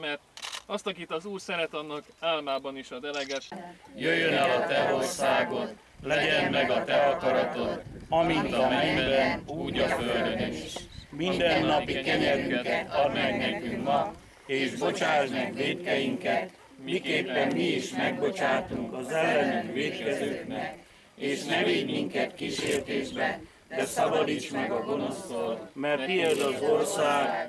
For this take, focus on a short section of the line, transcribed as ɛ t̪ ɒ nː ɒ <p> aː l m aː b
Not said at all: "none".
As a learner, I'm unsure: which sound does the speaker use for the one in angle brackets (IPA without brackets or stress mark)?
k